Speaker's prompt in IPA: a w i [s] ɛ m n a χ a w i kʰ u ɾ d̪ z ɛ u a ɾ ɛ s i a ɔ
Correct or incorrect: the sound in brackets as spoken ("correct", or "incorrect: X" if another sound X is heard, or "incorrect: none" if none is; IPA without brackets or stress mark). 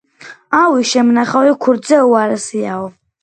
incorrect: ʃ